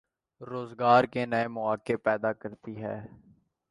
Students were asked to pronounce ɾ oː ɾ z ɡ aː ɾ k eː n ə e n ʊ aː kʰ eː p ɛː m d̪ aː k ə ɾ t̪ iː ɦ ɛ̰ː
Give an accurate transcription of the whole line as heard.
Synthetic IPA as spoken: ɾ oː z ɡ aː ɾ k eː n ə e m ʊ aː k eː p ɛː d̪ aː k ə ɾ t̪ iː ɦ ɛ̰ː